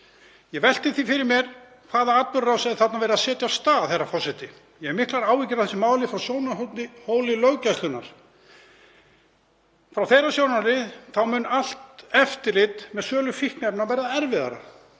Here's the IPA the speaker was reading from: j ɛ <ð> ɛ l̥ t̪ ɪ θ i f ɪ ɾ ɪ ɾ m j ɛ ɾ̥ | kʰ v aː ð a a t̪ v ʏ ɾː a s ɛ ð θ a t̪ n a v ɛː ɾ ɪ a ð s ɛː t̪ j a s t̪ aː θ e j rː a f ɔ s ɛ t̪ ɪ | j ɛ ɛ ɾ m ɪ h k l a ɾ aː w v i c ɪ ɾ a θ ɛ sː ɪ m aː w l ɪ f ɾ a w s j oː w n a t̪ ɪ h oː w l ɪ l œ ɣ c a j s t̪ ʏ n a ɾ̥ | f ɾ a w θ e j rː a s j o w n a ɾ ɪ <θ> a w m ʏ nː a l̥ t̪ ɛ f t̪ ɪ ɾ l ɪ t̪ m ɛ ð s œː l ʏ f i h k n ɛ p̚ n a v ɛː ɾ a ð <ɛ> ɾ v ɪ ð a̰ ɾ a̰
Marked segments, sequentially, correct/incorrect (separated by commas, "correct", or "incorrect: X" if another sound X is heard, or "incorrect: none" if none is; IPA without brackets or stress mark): incorrect: v, correct, correct